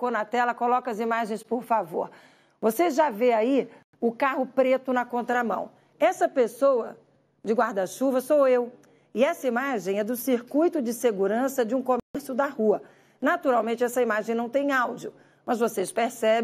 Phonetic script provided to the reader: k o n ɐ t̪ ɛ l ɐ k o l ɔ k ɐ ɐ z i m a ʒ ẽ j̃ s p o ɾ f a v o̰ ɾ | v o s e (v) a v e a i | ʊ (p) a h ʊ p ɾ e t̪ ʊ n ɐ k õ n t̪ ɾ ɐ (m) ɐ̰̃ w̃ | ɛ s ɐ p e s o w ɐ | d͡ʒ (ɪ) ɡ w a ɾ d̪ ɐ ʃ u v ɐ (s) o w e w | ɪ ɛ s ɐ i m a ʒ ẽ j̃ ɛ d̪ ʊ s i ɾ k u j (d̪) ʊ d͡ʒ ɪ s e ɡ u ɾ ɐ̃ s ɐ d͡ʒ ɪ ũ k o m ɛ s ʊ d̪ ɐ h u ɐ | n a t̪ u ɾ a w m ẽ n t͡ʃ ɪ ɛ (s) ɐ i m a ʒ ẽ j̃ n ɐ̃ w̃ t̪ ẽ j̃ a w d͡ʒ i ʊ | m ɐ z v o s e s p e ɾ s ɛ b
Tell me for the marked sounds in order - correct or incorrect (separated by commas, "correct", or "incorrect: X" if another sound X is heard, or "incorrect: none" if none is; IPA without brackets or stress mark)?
incorrect: ʒ, incorrect: k, correct, correct, correct, incorrect: t̪, correct